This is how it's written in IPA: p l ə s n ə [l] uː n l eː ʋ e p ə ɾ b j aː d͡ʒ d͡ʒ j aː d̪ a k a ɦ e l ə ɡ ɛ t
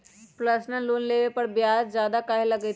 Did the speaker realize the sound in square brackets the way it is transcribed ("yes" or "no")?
yes